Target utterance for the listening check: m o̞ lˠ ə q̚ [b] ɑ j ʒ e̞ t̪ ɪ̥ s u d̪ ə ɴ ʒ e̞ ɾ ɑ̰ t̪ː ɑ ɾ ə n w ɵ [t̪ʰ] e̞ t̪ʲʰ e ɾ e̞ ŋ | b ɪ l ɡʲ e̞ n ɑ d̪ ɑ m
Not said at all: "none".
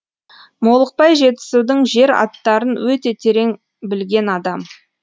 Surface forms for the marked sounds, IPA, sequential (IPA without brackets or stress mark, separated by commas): p, t̪